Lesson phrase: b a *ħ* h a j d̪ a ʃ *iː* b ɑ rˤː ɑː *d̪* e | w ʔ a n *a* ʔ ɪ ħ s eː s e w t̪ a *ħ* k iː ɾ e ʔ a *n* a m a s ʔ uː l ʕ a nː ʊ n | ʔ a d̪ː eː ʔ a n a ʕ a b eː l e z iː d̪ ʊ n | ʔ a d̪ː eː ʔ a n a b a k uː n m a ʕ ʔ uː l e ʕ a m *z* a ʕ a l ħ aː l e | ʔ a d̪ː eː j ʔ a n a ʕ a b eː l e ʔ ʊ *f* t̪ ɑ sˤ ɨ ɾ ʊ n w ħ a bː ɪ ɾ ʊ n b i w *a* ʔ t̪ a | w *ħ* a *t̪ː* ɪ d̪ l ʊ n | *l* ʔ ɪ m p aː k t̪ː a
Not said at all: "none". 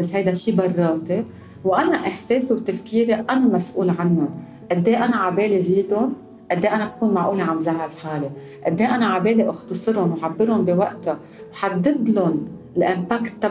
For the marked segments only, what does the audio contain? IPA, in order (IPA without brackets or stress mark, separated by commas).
s, iː, t̪, a, f, n, z, x, a, ħ, d̪ː, l